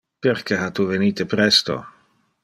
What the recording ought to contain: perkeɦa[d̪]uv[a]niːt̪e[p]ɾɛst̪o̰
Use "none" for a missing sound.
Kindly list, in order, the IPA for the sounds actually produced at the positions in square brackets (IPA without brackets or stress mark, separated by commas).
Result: t̪, e, p